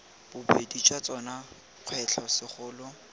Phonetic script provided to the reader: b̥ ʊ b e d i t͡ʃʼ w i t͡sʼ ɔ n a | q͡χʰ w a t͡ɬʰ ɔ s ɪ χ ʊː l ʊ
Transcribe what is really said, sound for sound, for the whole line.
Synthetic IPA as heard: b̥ ʊ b e d i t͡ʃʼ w a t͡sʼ ɔ n a | q͡χʰ w ɛ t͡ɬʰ ɔ s ɪ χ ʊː l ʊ